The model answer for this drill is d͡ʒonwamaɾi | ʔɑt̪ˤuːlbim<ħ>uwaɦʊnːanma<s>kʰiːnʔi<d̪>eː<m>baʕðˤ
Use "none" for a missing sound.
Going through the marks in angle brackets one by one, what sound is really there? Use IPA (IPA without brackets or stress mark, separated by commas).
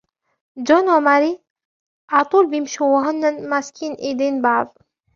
ʃ, s, d̪, n